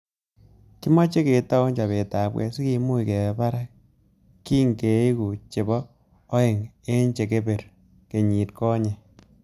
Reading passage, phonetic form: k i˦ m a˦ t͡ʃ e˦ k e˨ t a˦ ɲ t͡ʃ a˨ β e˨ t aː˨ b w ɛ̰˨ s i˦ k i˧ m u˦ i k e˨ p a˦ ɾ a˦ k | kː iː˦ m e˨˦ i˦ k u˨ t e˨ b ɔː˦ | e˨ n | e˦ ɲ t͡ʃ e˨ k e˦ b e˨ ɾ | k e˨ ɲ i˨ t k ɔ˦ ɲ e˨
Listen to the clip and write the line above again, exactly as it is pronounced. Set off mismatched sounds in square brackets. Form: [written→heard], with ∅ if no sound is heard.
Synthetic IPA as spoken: k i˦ m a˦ t͡ʃ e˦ k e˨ t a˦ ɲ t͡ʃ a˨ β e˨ t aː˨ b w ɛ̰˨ s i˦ k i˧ m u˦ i k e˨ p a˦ ɾ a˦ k | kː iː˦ [m→ŋ] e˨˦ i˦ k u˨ [t→t͡ʃ] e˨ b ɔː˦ | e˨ [n→ŋ] | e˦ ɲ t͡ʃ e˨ k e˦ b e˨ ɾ | k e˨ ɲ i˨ t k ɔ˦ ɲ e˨